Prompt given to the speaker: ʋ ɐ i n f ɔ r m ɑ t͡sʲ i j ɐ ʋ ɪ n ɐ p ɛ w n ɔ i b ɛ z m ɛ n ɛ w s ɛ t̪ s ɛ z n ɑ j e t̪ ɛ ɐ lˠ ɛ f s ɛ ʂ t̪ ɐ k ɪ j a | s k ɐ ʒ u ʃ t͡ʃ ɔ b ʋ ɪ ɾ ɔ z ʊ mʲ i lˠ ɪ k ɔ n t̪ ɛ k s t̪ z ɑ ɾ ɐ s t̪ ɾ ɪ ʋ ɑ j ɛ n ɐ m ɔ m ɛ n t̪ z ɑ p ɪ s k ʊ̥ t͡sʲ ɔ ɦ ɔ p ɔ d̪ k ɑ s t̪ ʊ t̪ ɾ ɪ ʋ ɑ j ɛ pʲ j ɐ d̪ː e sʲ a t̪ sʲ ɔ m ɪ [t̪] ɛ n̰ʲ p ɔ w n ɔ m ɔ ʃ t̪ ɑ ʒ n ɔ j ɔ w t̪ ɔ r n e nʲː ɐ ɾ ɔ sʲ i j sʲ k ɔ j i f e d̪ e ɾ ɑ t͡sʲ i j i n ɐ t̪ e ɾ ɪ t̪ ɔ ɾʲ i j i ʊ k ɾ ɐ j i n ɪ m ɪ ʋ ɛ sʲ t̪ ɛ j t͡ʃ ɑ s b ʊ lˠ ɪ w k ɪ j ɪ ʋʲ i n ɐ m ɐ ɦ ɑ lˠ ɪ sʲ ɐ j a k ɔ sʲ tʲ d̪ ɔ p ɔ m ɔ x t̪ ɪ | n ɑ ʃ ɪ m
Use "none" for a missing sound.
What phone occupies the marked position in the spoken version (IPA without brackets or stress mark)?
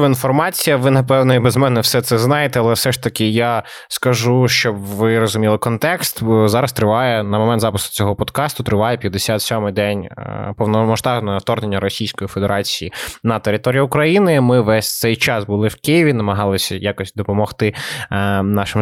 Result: d̪